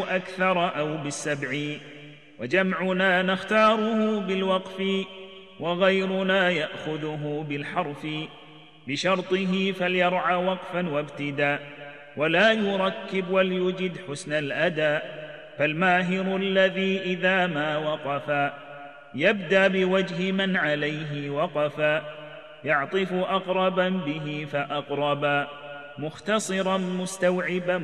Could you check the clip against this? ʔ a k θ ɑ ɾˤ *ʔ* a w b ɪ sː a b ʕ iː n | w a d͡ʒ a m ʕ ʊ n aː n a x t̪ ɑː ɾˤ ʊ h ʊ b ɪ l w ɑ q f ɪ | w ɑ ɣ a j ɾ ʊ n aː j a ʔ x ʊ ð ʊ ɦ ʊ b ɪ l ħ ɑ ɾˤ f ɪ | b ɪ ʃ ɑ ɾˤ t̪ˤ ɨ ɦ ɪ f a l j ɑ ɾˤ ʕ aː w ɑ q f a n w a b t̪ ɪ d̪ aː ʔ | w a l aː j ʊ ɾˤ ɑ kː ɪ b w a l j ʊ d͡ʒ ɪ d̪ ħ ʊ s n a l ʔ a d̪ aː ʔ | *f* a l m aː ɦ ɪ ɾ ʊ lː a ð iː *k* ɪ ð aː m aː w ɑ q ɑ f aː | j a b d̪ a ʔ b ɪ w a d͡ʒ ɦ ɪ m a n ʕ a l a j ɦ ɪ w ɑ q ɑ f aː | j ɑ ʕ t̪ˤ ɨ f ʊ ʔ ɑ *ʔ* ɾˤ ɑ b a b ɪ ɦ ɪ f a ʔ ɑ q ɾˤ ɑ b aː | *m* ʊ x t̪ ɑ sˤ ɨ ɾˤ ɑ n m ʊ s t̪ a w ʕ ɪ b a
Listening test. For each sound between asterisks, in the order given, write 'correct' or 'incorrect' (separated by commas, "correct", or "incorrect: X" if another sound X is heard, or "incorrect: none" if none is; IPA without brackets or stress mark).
correct, correct, incorrect: ʔ, incorrect: q, correct